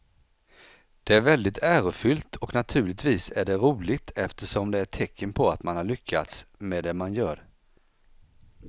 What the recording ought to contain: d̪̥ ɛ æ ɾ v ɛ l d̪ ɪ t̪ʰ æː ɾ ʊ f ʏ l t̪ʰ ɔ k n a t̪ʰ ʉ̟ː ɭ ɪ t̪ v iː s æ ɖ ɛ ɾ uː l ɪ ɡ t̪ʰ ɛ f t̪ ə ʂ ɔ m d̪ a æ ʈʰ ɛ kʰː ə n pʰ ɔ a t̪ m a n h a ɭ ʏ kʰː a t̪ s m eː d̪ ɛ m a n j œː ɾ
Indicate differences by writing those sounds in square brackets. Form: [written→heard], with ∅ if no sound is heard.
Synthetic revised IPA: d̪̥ ɛ æ ɾ v ɛ l d̪ ɪ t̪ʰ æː ɾ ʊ f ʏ l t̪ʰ ɔ k n a t̪ʰ ʉ̟ː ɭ ɪ t̪ v iː s æ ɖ ɛ ɾ uː l ɪ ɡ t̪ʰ ɛ f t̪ ə ʂ ɔ m d̪ [a→ɛ] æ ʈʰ ɛ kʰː ə n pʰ ɔ a t̪ m a n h a ɭ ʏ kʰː a t̪ s m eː d̪ ɛ m a n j œː ɾ